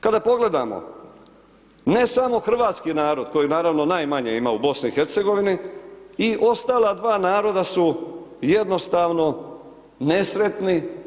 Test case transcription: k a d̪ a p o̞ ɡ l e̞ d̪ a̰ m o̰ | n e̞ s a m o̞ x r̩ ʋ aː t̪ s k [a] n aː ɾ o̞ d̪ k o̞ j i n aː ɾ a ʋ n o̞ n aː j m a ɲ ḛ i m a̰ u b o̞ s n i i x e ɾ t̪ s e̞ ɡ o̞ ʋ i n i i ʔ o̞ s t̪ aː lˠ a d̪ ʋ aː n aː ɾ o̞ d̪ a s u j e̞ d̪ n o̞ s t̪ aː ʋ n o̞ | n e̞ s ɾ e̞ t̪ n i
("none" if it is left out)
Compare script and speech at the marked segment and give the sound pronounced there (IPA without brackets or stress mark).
i